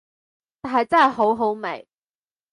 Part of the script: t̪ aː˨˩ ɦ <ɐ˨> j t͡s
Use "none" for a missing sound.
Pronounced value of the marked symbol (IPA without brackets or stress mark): ɐ˨